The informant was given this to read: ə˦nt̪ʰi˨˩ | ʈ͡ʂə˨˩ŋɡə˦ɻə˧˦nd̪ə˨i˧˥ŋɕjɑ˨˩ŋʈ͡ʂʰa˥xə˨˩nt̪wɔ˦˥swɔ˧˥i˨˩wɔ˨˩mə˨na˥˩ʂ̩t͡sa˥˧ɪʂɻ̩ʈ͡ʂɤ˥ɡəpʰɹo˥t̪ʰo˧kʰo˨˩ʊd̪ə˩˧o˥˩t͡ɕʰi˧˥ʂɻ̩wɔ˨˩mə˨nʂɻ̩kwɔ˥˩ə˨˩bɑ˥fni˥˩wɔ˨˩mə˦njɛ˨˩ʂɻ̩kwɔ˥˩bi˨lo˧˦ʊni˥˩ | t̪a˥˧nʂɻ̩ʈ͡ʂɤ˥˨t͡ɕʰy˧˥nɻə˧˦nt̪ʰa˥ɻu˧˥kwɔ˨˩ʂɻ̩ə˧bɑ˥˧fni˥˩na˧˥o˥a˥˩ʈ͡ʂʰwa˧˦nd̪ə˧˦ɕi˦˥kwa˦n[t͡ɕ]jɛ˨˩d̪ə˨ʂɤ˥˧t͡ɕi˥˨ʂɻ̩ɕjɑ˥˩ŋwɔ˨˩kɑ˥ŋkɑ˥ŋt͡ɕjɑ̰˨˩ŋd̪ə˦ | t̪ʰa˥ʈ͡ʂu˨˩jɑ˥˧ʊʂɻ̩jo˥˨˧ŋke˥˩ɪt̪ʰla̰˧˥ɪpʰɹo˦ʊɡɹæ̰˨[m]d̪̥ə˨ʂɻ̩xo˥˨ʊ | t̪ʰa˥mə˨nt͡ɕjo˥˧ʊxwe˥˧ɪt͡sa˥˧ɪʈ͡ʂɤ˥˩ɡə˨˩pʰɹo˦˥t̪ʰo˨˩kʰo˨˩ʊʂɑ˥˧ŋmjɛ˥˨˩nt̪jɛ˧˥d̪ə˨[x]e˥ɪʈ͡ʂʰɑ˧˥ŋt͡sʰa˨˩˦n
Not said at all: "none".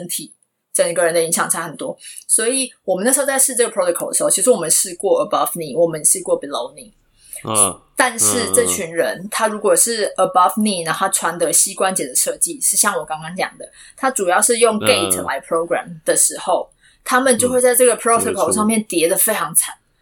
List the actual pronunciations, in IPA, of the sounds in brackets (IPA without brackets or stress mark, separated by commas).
t͡ɕ, m, f